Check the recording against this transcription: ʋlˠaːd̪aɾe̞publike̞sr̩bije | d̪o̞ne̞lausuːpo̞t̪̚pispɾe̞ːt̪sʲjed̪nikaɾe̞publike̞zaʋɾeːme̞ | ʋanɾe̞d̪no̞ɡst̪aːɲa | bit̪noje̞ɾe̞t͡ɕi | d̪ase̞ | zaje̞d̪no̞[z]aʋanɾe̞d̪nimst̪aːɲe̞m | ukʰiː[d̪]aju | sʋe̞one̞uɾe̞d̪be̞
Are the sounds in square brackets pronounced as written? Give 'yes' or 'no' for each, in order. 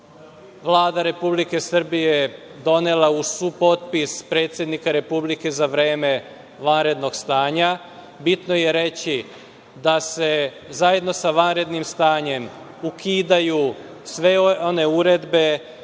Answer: no, yes

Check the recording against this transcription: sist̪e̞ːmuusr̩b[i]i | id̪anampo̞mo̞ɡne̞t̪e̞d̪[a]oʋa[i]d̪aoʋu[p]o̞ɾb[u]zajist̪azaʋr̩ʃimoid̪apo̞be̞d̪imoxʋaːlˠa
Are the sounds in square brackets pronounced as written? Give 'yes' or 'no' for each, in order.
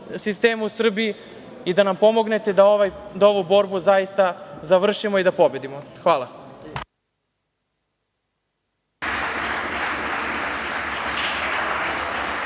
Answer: yes, yes, no, no, yes

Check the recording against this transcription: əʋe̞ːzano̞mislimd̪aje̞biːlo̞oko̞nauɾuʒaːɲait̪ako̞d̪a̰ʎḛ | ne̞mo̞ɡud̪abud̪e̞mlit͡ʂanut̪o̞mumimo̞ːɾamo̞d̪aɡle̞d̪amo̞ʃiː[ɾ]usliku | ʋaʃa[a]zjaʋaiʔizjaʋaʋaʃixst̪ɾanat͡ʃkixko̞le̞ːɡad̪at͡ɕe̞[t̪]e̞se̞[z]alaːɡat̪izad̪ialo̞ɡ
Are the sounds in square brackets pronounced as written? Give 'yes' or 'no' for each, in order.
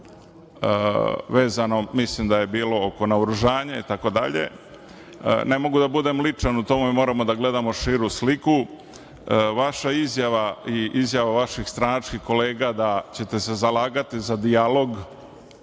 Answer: yes, no, yes, yes

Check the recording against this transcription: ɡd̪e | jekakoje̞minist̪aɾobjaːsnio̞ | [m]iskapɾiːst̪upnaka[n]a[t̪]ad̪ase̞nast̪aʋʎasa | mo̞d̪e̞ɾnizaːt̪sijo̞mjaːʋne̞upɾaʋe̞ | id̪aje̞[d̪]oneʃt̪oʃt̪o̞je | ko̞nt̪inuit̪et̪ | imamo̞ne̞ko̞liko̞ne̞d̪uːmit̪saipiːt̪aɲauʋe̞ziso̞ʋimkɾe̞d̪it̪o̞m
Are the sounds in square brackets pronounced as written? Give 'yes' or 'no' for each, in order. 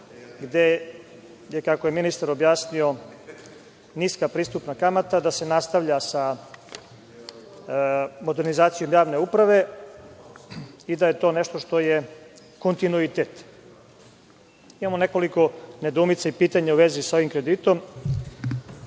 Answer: no, no, yes, no

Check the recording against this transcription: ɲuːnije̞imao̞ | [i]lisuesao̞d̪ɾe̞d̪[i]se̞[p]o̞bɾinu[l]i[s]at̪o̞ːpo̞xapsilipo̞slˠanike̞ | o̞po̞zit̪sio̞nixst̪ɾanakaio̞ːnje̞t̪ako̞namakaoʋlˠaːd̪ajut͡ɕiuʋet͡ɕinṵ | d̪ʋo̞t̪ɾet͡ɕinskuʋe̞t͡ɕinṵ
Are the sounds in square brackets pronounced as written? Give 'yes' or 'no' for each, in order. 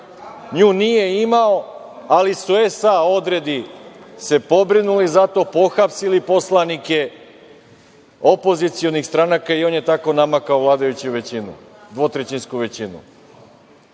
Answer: no, yes, yes, yes, no

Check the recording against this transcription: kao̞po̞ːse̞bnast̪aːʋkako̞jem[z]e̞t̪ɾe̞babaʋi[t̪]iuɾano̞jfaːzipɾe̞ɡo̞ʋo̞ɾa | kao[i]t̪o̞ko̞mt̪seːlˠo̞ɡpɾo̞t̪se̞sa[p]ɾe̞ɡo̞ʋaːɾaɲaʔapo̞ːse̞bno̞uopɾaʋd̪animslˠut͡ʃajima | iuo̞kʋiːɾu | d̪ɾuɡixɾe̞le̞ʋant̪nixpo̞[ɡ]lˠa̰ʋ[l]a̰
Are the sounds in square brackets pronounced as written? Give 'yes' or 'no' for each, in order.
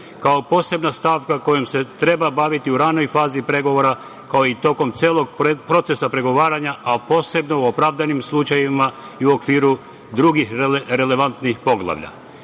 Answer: no, yes, yes, yes, yes, no

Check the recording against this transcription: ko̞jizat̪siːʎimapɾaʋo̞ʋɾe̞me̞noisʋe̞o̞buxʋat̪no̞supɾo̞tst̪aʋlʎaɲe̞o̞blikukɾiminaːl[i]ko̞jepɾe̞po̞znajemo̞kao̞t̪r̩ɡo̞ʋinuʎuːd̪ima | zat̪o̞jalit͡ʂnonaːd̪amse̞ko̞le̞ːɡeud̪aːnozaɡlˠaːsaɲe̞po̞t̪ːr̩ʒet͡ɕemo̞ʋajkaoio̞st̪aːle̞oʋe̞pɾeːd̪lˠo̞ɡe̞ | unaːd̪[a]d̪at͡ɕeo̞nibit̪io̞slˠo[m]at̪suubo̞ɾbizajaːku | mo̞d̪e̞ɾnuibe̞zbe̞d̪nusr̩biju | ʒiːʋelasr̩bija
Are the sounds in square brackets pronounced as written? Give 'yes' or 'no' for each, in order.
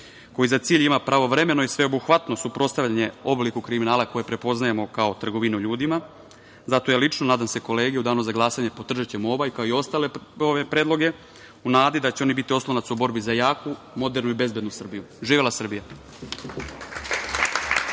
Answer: no, no, no

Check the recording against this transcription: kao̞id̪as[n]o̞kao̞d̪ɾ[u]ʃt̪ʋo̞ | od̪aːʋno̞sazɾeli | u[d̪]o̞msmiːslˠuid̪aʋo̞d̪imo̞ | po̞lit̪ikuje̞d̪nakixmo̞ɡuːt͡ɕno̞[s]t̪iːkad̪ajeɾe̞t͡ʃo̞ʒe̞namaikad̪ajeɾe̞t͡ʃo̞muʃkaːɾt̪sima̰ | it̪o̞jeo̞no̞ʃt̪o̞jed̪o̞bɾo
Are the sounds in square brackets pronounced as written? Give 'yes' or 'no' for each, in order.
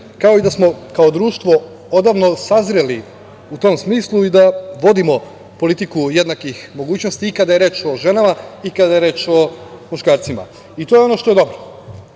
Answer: no, no, no, yes

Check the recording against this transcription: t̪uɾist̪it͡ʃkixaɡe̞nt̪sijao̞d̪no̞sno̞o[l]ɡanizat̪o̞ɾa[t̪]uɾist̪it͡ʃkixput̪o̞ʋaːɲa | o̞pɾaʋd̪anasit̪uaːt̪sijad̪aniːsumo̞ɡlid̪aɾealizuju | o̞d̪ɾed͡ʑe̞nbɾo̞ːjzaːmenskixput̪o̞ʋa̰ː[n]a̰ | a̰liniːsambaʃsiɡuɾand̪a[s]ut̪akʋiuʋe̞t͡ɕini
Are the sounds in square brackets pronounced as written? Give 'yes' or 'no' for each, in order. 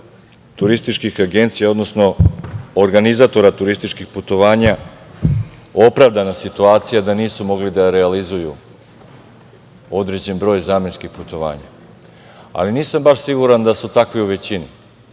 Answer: no, yes, no, yes

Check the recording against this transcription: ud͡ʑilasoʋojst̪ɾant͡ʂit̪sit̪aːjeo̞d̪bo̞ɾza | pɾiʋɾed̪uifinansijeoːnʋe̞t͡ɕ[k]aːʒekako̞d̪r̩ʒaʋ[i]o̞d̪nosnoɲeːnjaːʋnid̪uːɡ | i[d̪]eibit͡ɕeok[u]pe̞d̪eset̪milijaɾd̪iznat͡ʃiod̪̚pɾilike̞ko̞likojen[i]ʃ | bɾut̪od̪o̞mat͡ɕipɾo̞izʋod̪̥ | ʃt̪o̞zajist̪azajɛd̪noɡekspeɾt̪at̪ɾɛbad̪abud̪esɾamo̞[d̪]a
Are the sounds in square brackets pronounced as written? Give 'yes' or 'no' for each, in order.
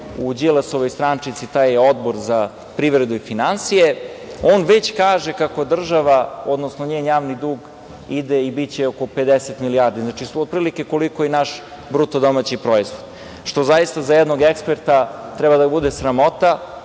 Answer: yes, no, yes, no, no, no

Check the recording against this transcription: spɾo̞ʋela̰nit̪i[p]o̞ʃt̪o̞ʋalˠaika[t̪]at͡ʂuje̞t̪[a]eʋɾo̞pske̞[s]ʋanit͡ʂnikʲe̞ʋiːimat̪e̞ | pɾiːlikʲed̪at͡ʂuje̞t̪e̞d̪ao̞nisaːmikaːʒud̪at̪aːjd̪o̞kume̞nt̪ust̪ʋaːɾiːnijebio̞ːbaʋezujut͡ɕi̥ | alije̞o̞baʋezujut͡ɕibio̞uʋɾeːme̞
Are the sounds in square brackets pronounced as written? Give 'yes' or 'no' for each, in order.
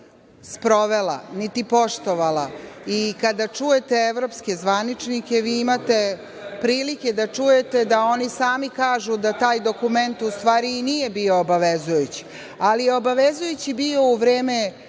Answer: yes, no, no, no

